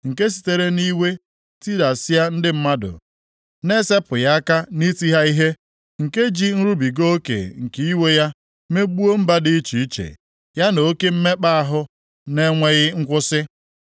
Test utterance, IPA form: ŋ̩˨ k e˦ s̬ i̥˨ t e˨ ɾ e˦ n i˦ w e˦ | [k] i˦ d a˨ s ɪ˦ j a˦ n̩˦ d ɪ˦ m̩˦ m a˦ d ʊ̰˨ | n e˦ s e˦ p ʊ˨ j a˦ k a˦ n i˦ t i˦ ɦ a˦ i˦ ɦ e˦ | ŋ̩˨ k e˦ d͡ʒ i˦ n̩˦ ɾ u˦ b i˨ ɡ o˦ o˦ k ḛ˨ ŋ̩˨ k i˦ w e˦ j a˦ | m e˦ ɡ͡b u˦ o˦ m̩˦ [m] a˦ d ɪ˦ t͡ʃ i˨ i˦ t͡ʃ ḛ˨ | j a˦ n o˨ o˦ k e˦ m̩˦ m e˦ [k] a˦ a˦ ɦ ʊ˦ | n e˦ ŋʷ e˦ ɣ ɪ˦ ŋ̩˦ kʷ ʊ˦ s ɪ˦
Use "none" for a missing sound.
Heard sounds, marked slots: t, b, k͡p

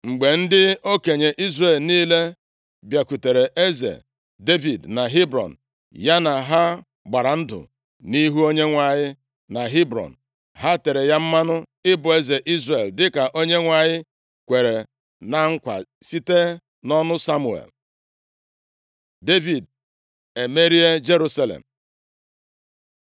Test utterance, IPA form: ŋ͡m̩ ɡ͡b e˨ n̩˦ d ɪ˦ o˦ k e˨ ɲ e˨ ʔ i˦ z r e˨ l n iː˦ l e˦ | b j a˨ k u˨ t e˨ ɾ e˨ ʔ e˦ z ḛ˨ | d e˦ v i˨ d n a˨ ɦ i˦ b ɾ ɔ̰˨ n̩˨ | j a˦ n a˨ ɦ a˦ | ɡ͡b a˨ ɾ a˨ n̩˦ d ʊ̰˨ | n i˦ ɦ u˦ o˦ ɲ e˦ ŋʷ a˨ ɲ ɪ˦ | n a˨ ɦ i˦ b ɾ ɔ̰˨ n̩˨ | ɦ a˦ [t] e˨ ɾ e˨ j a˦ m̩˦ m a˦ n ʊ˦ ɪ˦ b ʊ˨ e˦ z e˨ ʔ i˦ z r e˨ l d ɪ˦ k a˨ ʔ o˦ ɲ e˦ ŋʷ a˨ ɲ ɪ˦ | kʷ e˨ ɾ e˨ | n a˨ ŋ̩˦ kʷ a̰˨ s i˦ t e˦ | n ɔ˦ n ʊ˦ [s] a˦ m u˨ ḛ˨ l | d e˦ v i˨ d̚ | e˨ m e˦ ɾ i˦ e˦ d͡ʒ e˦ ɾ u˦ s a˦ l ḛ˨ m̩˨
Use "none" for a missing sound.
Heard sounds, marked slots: t, s

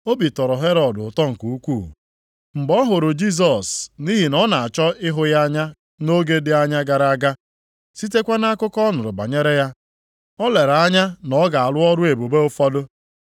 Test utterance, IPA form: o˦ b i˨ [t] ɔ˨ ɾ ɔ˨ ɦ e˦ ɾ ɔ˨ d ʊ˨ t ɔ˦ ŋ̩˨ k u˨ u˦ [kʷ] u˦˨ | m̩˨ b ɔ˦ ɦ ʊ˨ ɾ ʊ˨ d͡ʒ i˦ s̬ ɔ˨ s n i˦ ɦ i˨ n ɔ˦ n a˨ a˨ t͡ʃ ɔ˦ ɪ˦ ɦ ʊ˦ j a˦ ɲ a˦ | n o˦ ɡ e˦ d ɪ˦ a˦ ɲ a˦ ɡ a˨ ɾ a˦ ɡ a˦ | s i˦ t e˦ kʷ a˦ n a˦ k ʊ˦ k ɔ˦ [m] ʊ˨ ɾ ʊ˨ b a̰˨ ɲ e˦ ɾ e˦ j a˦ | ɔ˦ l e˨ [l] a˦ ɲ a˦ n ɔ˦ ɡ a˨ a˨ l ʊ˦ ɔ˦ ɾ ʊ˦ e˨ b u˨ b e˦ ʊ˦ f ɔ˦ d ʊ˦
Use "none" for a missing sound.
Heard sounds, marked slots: t, kʷ, n, ɾ

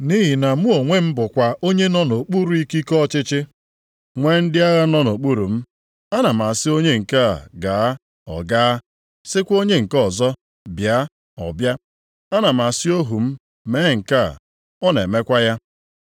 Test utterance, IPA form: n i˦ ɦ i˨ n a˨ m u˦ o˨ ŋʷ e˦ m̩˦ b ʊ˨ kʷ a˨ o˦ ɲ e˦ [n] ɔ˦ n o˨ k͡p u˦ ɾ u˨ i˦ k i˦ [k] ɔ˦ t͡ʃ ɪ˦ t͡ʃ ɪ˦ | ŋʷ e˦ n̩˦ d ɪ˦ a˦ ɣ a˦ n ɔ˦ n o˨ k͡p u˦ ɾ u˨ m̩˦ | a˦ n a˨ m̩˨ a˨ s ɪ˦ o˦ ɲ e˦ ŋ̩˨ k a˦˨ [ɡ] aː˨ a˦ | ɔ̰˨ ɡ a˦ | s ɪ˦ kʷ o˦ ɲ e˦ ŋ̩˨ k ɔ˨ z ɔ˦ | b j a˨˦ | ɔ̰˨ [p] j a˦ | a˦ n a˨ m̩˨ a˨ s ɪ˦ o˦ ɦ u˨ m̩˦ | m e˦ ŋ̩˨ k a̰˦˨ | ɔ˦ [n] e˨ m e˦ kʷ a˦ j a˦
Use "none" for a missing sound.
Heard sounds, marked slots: n, k, ɡ, b, n

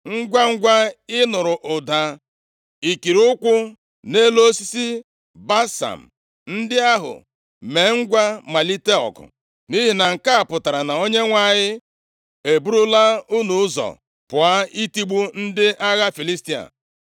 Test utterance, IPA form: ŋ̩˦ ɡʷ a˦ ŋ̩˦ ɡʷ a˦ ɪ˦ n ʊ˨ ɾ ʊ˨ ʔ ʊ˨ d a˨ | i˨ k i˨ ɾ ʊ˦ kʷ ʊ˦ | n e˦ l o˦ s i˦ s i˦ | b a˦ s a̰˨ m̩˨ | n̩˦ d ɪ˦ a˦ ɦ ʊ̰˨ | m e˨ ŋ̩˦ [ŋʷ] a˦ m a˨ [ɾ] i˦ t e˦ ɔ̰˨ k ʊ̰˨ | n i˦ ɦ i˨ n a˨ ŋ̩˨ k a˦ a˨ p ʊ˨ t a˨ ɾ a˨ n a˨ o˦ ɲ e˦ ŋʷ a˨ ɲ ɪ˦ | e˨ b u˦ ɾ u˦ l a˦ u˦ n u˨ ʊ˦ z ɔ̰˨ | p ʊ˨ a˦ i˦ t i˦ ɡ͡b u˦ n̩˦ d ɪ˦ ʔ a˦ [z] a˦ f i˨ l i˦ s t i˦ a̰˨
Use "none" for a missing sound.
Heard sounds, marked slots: ɡʷ, l, ɣ

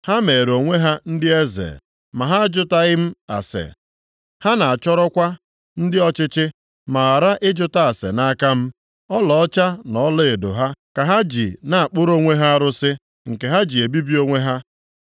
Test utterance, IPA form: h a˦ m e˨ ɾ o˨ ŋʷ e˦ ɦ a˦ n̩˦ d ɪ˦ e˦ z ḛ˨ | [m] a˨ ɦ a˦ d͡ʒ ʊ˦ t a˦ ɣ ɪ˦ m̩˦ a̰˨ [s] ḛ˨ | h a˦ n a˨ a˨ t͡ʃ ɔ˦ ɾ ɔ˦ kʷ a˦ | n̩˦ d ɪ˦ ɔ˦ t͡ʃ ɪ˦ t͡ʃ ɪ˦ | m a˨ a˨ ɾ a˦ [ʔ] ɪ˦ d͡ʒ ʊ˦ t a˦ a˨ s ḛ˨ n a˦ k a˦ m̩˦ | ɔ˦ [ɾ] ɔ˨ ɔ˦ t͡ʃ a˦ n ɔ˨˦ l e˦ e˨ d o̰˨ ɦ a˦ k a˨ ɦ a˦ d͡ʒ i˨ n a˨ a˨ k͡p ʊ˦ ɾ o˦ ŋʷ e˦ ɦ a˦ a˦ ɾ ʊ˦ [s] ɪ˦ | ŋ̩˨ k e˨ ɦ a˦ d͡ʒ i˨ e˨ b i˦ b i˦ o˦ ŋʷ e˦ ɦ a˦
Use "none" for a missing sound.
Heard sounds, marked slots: m, s, ʔ, l, s

